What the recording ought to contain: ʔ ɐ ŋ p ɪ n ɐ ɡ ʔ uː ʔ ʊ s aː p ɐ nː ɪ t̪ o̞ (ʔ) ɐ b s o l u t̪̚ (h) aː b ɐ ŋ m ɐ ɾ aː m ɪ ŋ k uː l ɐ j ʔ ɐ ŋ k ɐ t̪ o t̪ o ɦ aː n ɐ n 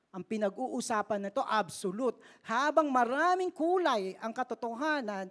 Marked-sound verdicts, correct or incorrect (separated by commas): correct, correct